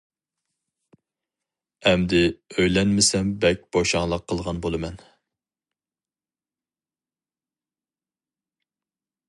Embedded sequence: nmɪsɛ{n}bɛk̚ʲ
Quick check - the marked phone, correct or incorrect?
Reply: incorrect